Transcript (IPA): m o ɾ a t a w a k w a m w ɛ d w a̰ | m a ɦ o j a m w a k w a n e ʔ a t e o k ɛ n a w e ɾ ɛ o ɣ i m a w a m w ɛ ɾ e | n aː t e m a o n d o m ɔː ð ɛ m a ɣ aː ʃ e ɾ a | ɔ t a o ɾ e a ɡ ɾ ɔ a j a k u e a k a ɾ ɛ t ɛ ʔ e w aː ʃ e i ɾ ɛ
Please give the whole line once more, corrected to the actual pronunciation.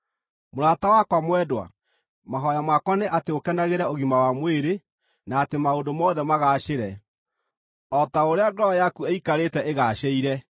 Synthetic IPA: m o ɾ a t a w a k w a m w ɛ d w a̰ | m a ɦ ɔ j a m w a k w a n e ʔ a t e o k ɛ n a ɣ e ɾ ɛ o ɣ i m a w a m w e ɾ e | n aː t e m a o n d o m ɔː ð ɛ m a ɣ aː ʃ e ɾ ɛ | ɔ t a o ɾ e a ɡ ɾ ɔ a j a k u e i k a ɾ e t ɛ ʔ e ɣ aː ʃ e i ɾ ɛ